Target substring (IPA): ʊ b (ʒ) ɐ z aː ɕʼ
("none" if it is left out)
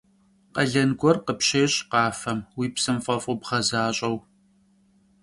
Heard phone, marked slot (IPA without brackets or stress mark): ʁ